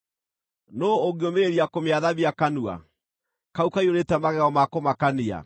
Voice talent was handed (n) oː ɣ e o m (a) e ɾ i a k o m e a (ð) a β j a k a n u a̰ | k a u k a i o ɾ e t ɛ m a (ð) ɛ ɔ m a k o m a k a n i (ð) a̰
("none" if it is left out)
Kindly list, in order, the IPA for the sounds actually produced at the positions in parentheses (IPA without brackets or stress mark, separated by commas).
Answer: n, e, ð, ɣ, none